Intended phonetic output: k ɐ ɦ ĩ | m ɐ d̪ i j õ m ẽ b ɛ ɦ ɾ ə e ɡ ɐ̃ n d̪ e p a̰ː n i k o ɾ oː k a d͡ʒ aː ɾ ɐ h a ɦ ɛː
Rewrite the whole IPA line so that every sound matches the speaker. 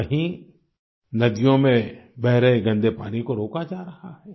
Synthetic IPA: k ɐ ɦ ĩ | n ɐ d̪ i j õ m ẽ b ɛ ɦ ɾ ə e ɡ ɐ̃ n d̪ e p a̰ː n i k o ɾ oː k a d͡ʒ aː ɾ ɐ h a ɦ ɛː